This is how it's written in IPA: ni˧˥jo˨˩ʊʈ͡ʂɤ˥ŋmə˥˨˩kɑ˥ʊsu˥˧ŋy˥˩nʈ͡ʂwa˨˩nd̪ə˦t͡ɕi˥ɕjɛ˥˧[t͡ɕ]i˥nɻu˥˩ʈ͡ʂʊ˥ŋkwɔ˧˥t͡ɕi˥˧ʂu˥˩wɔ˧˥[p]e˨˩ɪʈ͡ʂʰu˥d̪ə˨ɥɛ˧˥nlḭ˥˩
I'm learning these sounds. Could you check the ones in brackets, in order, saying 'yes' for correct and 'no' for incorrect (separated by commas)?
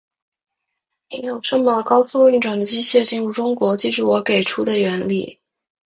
yes, no